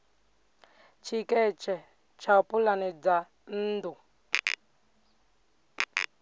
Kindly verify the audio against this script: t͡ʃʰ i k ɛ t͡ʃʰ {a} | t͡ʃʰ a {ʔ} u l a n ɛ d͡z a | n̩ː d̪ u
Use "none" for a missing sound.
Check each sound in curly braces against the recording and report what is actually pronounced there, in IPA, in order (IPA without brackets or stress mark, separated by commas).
ɛ, p